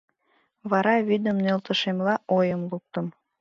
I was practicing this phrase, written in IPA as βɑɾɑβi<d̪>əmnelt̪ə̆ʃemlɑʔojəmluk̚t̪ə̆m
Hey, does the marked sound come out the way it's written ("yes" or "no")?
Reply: yes